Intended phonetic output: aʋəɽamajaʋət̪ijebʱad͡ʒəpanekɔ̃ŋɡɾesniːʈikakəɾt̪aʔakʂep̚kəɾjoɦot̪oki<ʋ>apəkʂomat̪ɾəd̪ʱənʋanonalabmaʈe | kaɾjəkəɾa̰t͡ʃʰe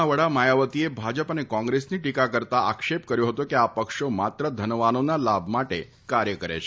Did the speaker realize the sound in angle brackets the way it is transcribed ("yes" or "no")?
no